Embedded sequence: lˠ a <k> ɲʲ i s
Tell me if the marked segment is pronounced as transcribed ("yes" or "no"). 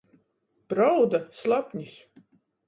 no